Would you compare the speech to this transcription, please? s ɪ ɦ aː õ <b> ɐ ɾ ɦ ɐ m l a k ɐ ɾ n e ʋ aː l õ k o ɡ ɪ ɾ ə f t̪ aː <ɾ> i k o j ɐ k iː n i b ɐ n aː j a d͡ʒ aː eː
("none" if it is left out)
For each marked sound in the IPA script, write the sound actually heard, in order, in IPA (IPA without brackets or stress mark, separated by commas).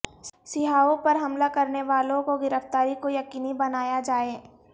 p, ɾ